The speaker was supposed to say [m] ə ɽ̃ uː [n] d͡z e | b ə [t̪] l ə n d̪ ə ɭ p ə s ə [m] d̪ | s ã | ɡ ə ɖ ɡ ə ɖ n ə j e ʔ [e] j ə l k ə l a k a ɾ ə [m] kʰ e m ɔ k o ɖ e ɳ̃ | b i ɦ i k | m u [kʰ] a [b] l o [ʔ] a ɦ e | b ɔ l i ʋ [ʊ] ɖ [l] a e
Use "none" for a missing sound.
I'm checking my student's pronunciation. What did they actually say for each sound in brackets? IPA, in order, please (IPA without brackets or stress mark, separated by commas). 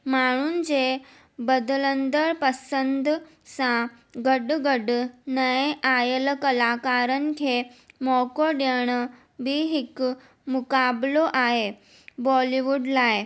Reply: m, n, d̪, n, a, n, k, b, ʔ, u, l